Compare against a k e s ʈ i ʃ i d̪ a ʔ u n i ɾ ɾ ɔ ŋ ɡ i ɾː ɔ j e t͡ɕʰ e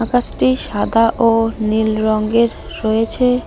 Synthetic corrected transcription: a k a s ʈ i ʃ a d̪ a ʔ o n i l ɾ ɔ ŋ ɡ e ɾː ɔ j e t͡ɕʰ e